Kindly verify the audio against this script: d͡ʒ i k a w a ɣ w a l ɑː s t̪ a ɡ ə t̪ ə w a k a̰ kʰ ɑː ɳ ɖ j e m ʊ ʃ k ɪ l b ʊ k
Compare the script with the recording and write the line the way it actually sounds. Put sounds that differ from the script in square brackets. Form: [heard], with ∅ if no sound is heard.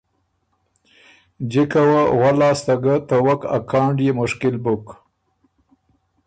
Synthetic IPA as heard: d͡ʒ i k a w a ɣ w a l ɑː s t̪ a ɡ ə t̪ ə w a k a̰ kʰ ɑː ɳ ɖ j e m ʊ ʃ k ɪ l b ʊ k

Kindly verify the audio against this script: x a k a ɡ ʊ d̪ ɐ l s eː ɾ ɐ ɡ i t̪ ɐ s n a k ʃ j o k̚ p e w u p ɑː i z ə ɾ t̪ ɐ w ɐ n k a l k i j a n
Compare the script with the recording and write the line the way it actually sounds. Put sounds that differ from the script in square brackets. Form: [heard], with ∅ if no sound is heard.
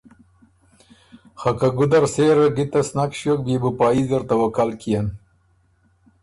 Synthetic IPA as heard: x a k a ɡ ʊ d̪ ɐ [ɾ] s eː ɾ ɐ ɡ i t̪ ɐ s n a k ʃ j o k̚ [b] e [b] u p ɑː i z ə ɾ t̪ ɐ w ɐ [∅] k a l k i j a n

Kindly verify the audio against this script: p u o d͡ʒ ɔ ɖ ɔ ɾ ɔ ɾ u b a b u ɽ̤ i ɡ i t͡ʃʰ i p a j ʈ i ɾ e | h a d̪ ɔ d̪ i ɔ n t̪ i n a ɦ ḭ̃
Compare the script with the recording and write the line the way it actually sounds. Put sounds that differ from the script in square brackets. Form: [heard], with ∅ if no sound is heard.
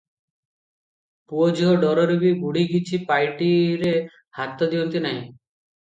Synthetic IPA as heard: p u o d͡ʒ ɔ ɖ ɔ ɾ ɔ ɾ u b [i] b u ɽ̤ i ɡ i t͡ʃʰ i p a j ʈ i ɾ e | h a [t̪] ɔ d̪ i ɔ n t̪ i n a ɦ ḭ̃

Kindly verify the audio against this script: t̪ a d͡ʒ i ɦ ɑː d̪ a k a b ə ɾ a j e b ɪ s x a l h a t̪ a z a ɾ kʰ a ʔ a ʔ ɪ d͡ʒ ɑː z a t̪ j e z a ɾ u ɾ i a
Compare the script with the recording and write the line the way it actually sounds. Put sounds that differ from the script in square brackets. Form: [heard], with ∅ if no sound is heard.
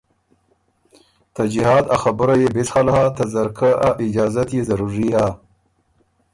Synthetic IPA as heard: t̪ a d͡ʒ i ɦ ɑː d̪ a [x] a b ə ɾ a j e b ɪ s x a l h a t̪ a z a ɾ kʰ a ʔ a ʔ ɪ d͡ʒ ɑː z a t̪ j e z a ɾ u ɾ i a

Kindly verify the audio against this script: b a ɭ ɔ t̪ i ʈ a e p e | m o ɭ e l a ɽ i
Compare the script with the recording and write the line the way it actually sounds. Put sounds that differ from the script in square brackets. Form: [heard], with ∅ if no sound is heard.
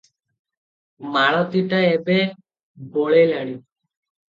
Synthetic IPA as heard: [m] a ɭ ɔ t̪ i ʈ a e [b] e | [b] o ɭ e l a ɽ i

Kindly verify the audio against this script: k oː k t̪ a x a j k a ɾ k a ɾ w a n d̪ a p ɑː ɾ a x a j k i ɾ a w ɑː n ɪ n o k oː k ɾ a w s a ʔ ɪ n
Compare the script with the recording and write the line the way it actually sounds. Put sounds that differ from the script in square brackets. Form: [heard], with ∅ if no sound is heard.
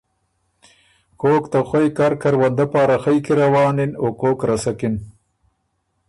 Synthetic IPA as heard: k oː k t̪ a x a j k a ɾ k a ɾ w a n d̪ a p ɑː ɾ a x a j k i ɾ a w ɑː n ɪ n o k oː k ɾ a [∅] s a [k] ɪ n

